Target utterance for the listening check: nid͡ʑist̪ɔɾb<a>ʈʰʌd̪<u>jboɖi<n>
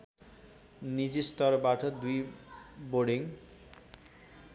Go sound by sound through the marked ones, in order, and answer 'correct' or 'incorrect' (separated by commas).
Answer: correct, correct, incorrect